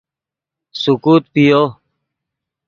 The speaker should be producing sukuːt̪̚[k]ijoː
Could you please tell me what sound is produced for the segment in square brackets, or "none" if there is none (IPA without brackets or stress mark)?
p